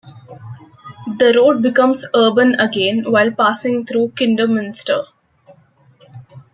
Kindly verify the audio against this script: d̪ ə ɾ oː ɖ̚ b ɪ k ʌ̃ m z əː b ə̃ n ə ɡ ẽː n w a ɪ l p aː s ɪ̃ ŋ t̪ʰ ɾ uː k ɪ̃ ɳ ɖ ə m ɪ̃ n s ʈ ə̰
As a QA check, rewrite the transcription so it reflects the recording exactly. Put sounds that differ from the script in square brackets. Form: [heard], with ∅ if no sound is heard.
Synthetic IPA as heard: d̪ ə ɾ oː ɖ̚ b ɪ k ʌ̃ m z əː b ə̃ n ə ɡ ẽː n [ʋ] a ɪ l p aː s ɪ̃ ŋ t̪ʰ ɾ uː k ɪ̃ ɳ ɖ ə m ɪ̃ n s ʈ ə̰